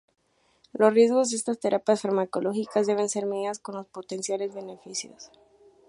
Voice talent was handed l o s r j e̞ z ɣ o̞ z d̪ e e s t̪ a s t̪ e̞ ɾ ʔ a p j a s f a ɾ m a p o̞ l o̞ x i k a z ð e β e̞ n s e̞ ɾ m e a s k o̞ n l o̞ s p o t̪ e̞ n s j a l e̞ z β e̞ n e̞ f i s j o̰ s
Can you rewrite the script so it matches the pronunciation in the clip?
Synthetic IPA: l o s r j e̞ z ɣ o̞ z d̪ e e s t̪ a s t̪ e̞ ɾ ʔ a p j a s f a ɾ m a k o̞ l o̞ x i k a z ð e β e̞ n s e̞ ɾ m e a s k o̞ n l o̞ s p o t̪ e̞ n s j a l e̞ z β e̞ n e̞ f i s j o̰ s